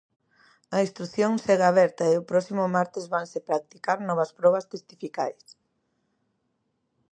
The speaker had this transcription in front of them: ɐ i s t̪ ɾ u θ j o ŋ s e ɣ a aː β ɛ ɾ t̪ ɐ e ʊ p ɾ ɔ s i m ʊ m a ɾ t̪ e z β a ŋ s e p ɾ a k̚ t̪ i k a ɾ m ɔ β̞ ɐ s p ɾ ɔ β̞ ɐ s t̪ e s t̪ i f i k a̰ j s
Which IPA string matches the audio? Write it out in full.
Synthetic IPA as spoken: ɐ i s t̪ ɾ u θ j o ŋ s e ɣ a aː β ɛ ɾ t̪ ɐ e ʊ p ɾ ɔ s i m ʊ m a ɾ t̪ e z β a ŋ s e p ɾ a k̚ t̪ i k a ɾ n ɔ β̞ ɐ s p ɾ ɔ β̞ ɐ s t̪ e s t̪ i f i k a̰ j s